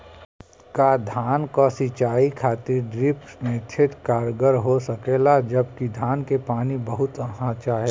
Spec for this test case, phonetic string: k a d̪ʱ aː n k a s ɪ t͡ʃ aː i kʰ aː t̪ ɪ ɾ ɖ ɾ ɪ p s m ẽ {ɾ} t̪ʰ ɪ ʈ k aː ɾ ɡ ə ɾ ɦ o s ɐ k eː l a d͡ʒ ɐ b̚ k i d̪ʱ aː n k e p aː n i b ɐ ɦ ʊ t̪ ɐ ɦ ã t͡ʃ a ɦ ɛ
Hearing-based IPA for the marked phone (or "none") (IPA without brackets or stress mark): none